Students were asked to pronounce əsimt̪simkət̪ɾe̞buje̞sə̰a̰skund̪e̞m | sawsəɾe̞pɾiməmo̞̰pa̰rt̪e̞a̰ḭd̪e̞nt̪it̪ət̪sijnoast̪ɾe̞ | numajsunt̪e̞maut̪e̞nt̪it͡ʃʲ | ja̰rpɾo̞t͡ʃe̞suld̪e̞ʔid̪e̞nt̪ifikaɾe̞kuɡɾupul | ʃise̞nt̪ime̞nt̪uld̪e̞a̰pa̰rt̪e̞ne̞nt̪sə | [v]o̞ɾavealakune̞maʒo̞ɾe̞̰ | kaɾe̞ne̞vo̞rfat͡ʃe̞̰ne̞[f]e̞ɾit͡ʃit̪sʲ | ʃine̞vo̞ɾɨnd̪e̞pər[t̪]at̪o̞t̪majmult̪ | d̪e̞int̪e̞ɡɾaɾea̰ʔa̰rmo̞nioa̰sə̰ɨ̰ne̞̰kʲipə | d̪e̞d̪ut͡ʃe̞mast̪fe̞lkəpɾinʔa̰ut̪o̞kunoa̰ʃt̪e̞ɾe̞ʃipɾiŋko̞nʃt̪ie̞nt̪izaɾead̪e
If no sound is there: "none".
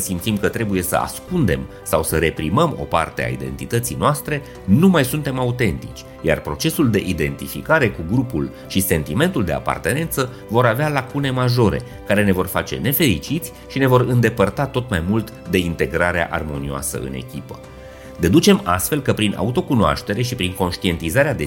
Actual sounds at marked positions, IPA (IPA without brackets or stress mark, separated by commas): v, f, t̪